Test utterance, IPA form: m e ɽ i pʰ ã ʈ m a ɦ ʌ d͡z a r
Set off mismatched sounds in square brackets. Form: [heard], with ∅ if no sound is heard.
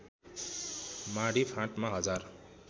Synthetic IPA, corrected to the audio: m [a] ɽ i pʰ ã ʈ m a ɦ ʌ d͡z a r